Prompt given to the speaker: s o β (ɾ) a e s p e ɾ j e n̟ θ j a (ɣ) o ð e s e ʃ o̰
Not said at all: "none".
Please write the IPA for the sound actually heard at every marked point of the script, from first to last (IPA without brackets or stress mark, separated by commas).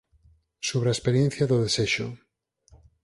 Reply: ɾ, ð